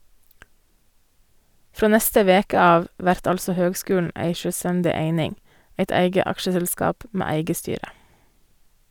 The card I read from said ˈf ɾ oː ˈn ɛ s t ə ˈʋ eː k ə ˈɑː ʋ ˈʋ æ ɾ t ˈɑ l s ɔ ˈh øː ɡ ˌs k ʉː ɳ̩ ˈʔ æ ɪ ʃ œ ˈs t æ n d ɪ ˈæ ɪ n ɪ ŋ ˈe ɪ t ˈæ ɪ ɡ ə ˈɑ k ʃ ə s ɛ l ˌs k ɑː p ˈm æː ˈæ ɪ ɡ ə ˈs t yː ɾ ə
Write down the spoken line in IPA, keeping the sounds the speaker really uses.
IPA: ˈf ɾ oː ˈn ɛ s t ə ˈʋ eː k ə ˈɑː ʋ ˈʋ æ ɾ t ˈɑ l s ɔ ˈh øː ɡ ˌs k ʉː ɳ̩ ˈʔ æ ɪ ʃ œ ˈs t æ n d ɪ ˈe ɪ n ɪ ŋ ˈe ɪ t ˈæ ɪ ɡ ə ˈɑ k ʃ ə s ɛ l ˌs k ɑː p ˈm eː ˈæ ɪ ɡ ə ˈs t yː ɾ ə